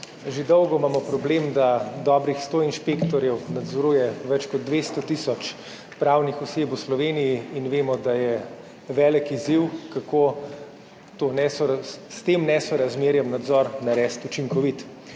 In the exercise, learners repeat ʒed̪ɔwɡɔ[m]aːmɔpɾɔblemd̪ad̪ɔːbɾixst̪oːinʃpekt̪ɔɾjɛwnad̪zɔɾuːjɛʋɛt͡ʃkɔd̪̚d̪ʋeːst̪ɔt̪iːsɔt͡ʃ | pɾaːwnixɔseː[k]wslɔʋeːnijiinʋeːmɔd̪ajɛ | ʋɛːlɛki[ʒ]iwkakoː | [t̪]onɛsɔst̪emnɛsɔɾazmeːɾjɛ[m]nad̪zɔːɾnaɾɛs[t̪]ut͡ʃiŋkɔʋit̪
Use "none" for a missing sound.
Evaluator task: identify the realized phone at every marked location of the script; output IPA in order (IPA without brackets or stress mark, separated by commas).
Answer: m, p, z, t̪, m, t̪